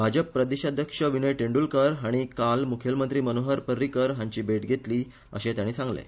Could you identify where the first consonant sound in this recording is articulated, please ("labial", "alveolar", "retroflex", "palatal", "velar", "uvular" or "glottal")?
labial